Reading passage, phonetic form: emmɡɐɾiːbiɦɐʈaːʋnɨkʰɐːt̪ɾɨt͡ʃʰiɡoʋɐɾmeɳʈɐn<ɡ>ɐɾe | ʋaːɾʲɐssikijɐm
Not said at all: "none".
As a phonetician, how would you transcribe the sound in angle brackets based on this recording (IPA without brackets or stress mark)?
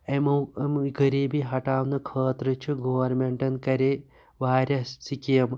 k